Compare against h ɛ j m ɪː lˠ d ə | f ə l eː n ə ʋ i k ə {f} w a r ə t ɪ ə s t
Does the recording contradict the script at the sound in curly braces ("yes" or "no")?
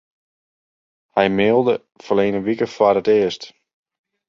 no